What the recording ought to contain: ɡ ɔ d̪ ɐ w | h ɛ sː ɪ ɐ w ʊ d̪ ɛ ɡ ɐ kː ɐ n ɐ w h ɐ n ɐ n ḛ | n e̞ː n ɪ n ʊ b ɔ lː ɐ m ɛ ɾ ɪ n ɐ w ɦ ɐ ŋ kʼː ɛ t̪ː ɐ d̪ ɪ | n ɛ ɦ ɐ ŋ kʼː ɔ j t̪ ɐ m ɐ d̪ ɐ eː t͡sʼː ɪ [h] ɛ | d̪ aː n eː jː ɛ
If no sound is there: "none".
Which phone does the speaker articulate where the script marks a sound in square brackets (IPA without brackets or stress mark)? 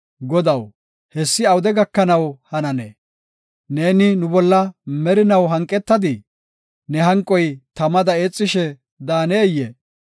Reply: ʃ